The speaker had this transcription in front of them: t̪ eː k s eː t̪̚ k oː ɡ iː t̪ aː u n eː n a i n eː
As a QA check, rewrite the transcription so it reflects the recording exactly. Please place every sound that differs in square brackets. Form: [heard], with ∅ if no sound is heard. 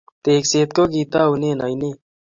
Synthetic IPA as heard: t̪ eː k s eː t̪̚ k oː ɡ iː t̪ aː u n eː n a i n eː